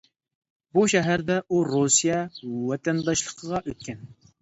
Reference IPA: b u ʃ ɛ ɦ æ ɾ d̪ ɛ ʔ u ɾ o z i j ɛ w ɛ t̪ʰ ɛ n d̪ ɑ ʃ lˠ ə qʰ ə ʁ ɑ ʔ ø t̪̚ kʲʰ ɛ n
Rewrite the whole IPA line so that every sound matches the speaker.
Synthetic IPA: b u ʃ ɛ ɦ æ ɾ d̪ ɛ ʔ u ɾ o s i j ɛ w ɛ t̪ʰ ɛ n d̪ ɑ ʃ lˠ ə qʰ ə ʁ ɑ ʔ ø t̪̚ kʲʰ ɛ n